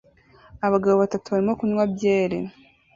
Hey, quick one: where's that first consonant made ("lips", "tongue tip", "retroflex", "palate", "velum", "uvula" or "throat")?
lips